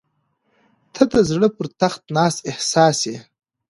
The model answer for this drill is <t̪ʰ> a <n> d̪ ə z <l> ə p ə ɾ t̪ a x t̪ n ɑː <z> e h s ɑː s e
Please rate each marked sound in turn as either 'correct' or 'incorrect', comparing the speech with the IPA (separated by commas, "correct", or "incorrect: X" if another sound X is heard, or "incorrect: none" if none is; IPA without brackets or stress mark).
correct, incorrect: none, incorrect: ɽ, incorrect: s